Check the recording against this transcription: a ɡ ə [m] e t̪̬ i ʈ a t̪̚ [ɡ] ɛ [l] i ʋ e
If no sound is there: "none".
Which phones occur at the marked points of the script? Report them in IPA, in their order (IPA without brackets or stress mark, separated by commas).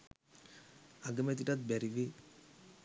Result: m, b, ɾ